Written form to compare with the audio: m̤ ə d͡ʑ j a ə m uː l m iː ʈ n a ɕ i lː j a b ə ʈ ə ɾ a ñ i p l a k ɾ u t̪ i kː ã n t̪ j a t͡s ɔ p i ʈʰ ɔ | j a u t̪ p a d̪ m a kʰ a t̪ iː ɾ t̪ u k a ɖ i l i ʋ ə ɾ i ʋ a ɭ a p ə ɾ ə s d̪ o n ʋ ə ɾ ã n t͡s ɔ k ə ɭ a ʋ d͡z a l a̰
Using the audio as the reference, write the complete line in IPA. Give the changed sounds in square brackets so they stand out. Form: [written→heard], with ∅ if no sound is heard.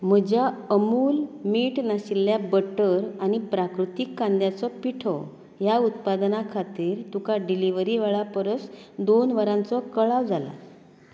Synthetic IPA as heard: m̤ ə d͡ʑ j a ə m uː l m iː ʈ n a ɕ i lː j a b ə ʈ ə ɾ a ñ i p [l→ɾ] a k ɾ u t̪ i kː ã n [t̪→d̪] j a t͡s ɔ p i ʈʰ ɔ | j a u t̪ p a d̪ [m→n] a kʰ a t̪ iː ɾ t̪ u k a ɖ i l i ʋ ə ɾ i ʋ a ɭ a p ə ɾ ə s d̪ o n ʋ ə ɾ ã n t͡s ɔ k ə ɭ a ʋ d͡z a l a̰